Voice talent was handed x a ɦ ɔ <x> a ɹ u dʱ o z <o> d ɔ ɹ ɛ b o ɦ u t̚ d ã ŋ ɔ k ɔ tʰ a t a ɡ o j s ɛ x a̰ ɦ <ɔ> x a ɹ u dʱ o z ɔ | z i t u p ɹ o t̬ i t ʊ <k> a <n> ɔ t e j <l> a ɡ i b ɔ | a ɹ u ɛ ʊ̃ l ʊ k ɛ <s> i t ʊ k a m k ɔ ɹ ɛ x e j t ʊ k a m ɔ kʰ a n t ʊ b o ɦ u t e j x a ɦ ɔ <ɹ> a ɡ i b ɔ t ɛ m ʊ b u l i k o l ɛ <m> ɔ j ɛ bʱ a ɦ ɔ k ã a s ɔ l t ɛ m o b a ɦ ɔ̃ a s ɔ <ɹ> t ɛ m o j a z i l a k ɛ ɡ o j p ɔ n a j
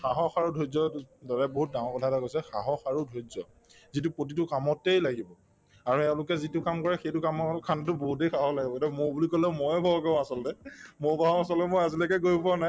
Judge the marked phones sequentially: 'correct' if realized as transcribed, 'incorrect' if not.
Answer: correct, incorrect: ɔ, correct, correct, incorrect: m, correct, incorrect: z, incorrect: l, correct, incorrect: l

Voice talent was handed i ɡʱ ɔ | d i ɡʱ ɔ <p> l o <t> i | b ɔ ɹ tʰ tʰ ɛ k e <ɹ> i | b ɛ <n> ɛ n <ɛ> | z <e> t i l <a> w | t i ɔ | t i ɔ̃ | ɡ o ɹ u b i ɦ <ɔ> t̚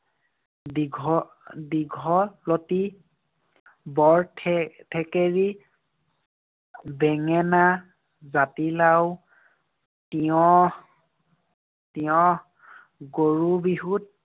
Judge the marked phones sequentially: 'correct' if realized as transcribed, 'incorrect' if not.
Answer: correct, correct, correct, incorrect: ŋ, incorrect: a, incorrect: a, correct, incorrect: u

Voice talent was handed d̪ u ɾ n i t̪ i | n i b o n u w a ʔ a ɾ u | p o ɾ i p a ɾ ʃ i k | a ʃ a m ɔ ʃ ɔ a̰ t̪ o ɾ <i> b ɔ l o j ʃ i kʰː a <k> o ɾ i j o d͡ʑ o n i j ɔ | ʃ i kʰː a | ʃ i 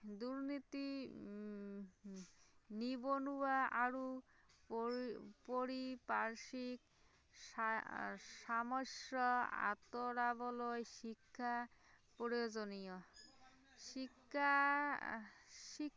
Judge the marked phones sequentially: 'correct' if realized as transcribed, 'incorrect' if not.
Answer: incorrect: a, incorrect: p

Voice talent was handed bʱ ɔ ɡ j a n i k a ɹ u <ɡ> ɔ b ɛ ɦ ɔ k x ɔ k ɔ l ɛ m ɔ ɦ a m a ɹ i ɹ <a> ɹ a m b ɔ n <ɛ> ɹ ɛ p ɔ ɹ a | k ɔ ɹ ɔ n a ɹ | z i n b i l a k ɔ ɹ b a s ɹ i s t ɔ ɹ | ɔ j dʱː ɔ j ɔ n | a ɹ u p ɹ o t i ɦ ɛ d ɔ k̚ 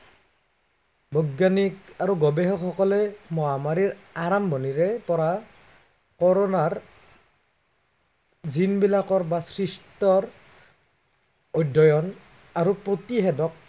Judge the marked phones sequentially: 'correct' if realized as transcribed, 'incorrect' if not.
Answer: correct, correct, incorrect: i

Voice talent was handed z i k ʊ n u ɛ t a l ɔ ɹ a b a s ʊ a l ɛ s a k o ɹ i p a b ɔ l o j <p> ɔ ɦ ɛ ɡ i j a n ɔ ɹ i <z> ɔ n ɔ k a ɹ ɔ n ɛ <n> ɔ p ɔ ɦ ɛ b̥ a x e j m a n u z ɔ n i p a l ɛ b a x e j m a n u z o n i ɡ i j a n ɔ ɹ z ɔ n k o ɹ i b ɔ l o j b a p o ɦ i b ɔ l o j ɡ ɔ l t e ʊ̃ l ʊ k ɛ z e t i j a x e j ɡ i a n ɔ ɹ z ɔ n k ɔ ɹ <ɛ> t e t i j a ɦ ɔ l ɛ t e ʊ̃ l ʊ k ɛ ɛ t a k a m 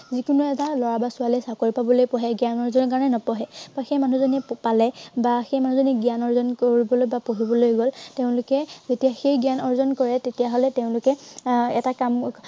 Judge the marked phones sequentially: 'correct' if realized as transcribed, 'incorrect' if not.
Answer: correct, correct, correct, correct

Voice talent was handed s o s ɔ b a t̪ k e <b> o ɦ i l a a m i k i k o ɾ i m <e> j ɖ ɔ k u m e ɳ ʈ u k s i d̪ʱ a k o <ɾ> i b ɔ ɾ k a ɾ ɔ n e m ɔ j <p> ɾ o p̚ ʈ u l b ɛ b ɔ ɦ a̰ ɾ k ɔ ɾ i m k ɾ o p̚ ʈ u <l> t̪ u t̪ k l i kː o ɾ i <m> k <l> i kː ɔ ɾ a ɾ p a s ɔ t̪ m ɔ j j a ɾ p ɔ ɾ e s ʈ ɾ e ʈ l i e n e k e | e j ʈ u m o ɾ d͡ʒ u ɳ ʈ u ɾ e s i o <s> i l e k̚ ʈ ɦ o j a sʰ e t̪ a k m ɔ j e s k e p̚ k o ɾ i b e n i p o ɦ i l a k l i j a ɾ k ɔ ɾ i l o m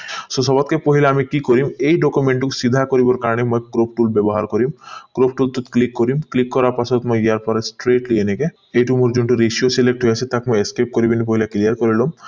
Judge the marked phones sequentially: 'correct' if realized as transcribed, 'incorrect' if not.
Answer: incorrect: p, correct, correct, incorrect: k, correct, correct, correct, correct

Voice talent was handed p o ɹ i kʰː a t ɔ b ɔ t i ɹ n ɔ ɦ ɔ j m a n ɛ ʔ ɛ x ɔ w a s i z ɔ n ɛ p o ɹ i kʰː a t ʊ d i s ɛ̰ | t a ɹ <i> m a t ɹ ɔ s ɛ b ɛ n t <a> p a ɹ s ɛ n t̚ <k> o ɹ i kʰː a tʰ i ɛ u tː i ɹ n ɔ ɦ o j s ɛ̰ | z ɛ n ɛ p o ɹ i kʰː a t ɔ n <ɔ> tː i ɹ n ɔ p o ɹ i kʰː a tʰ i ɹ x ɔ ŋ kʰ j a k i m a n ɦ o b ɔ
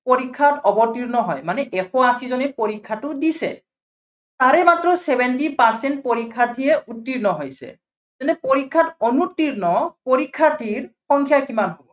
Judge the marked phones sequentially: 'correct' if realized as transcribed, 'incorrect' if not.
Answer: incorrect: ɛ, incorrect: i, incorrect: p, incorrect: u

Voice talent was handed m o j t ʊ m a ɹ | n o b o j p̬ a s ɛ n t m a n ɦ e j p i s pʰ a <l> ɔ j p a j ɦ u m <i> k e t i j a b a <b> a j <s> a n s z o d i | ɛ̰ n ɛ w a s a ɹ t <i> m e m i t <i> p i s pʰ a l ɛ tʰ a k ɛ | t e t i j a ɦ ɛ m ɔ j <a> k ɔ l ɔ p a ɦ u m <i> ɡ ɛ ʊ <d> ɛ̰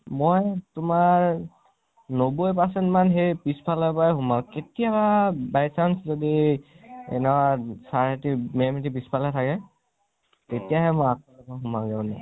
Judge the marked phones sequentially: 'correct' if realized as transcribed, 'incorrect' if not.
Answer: correct, incorrect: a, correct, correct, correct, correct, correct, incorrect: a, incorrect: n

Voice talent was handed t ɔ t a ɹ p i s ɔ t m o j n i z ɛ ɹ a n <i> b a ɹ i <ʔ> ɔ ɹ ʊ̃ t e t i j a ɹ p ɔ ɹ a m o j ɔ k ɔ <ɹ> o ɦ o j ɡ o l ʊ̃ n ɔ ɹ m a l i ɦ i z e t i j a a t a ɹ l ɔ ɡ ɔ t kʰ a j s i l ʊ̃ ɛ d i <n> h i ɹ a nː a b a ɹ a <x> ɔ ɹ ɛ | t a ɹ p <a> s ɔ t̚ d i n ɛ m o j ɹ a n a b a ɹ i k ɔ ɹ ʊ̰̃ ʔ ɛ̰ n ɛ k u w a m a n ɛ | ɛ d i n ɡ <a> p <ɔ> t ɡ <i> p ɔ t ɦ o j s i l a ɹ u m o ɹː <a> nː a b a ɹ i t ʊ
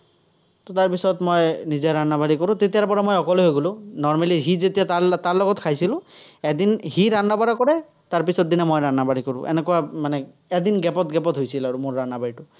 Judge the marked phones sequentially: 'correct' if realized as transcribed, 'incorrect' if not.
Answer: incorrect: a, incorrect: k, incorrect: l, correct, incorrect: k, incorrect: i, incorrect: ɛ, correct, incorrect: ɛ, correct

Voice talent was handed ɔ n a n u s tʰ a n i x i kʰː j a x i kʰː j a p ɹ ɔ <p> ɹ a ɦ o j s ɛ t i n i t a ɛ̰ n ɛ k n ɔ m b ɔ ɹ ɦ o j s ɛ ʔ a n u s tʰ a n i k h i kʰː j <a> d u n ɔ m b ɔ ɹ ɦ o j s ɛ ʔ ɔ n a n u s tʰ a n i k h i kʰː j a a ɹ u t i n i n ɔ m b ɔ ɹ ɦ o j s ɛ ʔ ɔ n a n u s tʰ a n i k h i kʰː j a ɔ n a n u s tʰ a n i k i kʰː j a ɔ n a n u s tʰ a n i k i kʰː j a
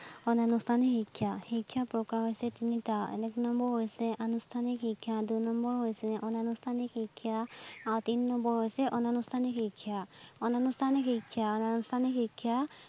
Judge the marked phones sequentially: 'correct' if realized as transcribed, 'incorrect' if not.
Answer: incorrect: k, correct

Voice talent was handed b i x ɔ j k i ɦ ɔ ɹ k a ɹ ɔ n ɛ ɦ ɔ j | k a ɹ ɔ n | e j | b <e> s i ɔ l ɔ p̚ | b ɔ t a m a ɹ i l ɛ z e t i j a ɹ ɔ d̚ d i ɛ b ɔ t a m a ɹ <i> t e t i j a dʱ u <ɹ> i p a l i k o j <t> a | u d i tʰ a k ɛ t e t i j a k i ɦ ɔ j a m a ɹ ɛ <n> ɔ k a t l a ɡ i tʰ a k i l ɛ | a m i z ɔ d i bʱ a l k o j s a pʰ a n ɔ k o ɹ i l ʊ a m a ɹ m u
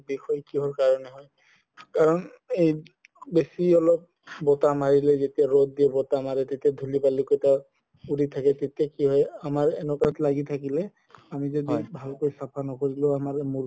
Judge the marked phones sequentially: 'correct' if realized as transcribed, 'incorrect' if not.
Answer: correct, incorrect: ɛ, incorrect: l, correct, correct

